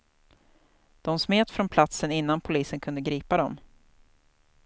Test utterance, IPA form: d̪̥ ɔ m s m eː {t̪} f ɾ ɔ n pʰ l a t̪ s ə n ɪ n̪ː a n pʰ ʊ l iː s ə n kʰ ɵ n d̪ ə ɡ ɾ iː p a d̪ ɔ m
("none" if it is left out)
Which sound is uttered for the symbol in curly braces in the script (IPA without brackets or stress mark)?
t̪